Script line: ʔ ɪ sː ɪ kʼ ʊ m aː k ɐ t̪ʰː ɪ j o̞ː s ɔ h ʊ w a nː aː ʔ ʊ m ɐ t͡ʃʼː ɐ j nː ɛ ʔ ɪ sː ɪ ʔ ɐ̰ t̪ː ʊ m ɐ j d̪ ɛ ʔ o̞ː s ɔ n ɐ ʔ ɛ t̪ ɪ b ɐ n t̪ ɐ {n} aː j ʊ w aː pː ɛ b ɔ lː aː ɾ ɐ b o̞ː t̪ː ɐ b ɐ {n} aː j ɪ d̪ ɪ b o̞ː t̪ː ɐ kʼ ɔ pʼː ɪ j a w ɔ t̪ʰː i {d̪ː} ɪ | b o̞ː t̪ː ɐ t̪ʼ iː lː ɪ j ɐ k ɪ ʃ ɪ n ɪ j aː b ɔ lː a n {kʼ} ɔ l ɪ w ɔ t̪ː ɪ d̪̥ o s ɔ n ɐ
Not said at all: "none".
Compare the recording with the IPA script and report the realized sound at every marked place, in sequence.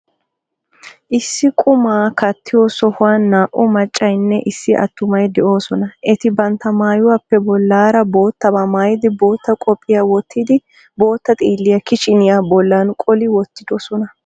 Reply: m, m, d̪, kʼ

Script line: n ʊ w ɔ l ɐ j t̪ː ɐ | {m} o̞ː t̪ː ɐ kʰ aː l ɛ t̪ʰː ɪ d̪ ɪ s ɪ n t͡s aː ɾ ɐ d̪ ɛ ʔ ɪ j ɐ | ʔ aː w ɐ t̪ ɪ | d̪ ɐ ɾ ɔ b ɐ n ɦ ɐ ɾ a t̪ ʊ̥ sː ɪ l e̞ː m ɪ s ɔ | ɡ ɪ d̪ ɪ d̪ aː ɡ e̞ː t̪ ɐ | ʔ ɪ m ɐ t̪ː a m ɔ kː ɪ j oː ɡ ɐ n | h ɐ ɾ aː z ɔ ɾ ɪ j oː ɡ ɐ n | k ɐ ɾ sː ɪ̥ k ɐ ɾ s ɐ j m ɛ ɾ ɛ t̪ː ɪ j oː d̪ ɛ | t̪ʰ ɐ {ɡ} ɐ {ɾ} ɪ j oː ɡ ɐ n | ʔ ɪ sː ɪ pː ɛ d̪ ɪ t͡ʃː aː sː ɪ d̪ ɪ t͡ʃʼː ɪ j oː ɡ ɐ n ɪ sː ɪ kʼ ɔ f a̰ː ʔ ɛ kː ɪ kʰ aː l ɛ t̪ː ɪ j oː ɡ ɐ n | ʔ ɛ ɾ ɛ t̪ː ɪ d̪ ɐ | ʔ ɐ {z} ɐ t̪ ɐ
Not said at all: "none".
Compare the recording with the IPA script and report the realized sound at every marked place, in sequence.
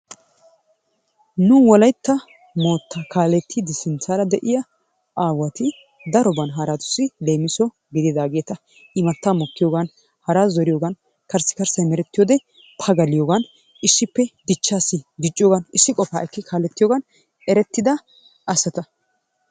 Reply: m, ɡ, l, s

